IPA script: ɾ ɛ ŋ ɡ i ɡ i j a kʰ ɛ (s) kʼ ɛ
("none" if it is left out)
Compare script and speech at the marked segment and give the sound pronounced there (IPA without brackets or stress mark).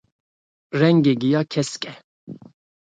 s